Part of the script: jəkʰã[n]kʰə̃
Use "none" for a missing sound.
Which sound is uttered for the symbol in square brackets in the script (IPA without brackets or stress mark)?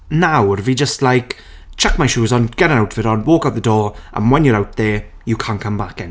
n